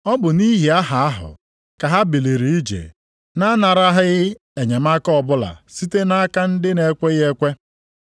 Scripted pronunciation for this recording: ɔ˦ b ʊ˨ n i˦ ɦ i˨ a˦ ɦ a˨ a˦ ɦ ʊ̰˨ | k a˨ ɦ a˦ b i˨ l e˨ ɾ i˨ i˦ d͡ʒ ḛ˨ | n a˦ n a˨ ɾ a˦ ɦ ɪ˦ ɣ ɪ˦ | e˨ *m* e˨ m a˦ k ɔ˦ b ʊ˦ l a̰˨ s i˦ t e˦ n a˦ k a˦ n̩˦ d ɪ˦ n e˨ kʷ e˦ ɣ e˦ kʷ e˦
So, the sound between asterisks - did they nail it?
no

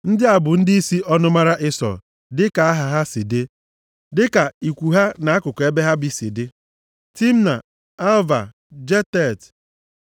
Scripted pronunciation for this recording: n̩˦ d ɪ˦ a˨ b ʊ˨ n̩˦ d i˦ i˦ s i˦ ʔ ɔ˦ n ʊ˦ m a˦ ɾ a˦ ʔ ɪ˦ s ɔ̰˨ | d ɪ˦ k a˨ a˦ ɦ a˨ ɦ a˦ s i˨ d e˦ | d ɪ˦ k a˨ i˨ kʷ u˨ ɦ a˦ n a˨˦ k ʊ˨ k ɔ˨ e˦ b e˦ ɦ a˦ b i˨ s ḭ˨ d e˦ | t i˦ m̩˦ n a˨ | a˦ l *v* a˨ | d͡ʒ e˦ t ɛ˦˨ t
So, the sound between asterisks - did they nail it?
yes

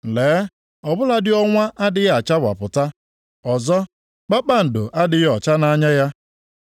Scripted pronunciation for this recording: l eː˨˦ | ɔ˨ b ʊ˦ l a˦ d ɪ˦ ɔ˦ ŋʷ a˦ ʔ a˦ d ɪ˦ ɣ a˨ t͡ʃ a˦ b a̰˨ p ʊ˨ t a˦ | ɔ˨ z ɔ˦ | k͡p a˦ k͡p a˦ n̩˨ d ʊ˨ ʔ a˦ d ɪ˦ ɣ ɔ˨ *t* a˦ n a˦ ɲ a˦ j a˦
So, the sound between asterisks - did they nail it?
no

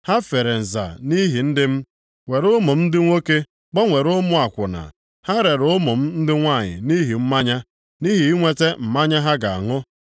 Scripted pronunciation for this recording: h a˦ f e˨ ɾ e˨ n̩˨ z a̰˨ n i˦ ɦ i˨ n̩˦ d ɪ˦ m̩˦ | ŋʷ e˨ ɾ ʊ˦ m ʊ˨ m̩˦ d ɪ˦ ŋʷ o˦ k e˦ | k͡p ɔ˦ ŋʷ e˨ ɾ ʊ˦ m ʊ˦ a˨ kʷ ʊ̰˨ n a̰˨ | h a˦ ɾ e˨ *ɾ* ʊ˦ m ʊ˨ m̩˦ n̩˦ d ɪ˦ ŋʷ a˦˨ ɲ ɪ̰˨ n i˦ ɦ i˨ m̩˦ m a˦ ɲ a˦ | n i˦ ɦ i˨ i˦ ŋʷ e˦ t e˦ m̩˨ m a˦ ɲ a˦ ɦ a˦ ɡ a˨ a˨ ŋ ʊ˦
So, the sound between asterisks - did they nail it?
yes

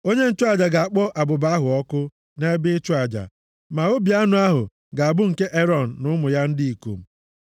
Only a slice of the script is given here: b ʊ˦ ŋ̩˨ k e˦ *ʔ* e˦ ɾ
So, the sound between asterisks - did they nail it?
yes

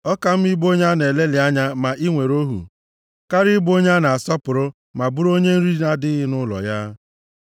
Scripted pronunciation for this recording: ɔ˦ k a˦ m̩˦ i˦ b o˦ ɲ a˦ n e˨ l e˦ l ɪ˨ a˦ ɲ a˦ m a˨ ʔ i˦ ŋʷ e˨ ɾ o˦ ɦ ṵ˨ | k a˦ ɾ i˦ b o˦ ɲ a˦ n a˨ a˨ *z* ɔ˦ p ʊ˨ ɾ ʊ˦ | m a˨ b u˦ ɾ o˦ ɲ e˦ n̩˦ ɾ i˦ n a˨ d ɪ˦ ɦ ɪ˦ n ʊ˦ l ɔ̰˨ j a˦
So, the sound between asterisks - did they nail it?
no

